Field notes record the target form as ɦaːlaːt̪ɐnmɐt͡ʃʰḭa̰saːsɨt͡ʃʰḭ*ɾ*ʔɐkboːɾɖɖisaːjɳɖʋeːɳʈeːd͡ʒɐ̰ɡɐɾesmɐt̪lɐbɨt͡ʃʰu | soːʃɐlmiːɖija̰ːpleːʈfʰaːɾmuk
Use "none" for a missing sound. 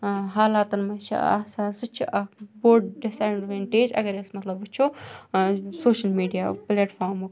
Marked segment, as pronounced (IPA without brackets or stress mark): none